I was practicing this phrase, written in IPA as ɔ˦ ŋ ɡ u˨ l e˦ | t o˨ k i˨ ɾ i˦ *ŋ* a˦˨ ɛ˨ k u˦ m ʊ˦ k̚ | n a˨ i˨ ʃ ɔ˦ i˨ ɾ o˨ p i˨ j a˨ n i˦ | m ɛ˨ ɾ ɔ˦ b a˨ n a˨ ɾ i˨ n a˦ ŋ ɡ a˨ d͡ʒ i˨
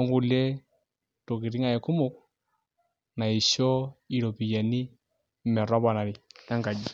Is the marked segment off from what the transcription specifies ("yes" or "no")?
no